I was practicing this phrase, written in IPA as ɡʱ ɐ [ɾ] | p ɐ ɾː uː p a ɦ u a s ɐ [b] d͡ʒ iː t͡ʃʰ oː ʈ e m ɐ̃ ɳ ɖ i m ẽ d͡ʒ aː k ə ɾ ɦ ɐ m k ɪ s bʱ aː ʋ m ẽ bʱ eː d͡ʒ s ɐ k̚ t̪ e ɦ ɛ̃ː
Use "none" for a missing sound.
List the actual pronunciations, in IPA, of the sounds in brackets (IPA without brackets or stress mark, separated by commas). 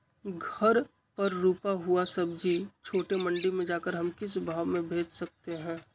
ɾ, b